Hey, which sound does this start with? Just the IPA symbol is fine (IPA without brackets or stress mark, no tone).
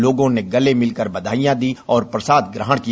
l